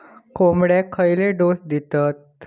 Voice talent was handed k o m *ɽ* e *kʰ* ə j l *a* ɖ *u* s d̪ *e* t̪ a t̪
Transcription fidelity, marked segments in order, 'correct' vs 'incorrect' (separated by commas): correct, correct, incorrect, incorrect, incorrect